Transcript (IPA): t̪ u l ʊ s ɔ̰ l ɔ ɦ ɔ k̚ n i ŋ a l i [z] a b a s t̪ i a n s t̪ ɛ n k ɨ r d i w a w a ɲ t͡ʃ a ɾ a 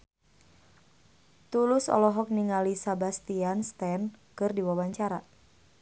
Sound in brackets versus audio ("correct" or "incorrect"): incorrect